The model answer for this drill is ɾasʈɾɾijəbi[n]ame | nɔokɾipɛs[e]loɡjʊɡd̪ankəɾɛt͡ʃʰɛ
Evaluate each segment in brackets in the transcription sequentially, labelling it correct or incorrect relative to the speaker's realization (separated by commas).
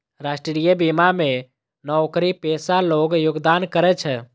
incorrect, incorrect